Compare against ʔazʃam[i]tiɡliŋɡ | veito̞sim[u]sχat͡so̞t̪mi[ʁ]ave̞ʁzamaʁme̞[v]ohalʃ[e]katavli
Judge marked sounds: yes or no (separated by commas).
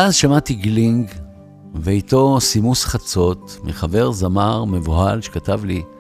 no, yes, no, yes, yes